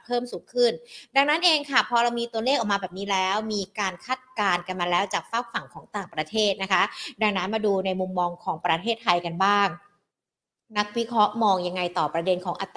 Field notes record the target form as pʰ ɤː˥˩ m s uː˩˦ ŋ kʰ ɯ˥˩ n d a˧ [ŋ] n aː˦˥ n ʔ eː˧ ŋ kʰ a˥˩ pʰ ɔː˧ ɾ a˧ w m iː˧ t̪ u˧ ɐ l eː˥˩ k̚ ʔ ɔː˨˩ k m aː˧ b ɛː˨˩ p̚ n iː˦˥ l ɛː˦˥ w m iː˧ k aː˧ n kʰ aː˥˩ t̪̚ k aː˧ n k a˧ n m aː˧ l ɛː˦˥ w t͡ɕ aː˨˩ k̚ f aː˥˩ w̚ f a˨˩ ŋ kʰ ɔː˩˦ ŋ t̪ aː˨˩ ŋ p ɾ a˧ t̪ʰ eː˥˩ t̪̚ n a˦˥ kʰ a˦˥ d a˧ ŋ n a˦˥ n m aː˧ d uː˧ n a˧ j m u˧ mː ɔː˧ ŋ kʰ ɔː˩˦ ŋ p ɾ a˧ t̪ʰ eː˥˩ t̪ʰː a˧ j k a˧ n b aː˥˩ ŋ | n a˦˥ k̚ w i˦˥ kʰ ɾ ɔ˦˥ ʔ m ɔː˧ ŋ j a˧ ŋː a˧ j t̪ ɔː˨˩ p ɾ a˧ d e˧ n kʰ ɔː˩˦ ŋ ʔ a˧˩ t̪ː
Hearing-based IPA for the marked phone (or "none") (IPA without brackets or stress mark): ŋ